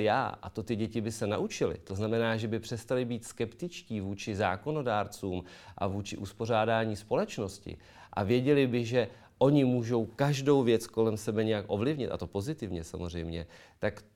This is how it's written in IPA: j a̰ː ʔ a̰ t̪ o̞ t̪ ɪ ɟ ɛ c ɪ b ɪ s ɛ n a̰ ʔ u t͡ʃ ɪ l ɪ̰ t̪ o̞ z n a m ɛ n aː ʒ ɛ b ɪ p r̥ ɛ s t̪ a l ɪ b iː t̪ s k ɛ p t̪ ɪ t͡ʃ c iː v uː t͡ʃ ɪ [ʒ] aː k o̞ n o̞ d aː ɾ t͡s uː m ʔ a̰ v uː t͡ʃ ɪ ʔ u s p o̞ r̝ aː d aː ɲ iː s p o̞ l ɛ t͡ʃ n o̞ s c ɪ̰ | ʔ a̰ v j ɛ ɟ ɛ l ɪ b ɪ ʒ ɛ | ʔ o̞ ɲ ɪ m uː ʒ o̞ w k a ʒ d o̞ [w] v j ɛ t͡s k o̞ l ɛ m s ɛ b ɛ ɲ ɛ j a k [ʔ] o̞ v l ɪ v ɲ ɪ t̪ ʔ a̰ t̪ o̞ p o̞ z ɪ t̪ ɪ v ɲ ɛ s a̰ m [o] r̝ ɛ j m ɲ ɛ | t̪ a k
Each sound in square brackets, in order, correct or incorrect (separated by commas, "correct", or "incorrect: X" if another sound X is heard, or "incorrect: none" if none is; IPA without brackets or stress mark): incorrect: z, correct, correct, correct